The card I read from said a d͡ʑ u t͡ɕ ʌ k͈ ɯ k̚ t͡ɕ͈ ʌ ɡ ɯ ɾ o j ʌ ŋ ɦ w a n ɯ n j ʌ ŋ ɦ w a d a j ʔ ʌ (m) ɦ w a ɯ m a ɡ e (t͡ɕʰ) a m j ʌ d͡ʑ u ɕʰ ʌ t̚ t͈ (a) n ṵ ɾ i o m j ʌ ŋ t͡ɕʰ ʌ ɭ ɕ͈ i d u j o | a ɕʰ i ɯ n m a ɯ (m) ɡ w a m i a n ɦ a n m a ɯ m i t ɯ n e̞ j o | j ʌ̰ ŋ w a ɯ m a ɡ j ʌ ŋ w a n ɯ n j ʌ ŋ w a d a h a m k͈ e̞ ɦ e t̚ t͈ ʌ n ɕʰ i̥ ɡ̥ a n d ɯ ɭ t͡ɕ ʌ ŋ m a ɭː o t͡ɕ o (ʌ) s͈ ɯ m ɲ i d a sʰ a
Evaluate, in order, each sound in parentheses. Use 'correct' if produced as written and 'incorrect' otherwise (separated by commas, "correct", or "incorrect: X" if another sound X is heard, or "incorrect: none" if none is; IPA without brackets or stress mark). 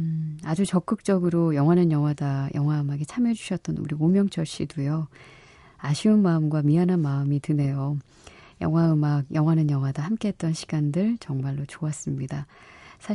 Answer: incorrect: ŋ, correct, incorrect: ʌ, correct, incorrect: a